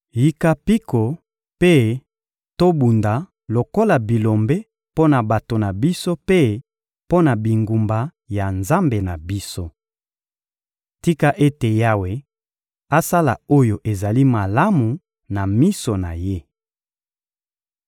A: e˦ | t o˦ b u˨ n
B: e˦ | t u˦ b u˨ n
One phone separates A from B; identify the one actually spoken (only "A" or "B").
A